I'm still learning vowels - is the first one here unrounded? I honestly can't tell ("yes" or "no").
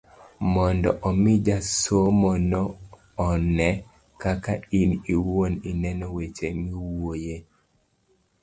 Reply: no